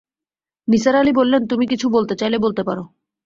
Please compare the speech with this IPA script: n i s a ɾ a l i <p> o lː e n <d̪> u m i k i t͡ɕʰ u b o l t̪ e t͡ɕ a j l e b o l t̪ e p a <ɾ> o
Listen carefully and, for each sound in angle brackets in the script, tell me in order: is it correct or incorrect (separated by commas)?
incorrect, incorrect, correct